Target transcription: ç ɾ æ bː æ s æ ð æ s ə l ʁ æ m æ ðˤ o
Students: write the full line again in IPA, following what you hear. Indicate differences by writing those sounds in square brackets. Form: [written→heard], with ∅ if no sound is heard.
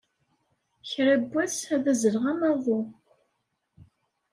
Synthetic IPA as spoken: ç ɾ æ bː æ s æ ð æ [s→z] ə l ʁ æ m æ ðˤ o